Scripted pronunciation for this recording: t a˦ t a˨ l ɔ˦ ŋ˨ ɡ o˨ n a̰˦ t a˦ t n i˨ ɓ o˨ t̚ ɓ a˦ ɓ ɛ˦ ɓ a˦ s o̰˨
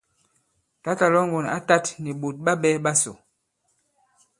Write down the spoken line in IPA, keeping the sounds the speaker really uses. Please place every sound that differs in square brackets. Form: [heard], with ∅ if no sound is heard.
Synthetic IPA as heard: t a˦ t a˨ l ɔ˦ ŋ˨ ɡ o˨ n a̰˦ t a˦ t n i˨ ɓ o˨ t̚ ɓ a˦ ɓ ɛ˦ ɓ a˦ s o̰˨